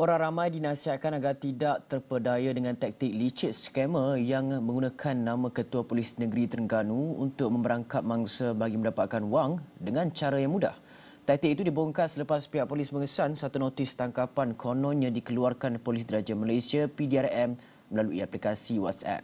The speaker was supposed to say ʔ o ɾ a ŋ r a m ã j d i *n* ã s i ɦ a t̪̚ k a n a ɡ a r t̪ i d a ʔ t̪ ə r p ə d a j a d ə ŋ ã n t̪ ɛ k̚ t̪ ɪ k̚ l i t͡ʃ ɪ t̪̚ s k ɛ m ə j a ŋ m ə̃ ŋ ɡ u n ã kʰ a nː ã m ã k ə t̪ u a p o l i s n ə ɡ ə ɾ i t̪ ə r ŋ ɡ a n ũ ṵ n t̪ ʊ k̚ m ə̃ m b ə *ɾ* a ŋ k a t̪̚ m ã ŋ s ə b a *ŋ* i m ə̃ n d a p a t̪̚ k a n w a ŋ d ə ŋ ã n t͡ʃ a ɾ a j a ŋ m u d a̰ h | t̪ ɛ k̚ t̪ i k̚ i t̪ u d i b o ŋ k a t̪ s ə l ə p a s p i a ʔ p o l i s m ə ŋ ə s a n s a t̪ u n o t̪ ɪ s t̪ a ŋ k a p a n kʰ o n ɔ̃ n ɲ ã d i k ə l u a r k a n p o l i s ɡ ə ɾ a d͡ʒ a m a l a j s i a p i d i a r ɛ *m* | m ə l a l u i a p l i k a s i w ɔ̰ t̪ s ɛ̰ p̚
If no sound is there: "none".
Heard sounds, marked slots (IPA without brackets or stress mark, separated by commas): n, ɾ, ɡ, m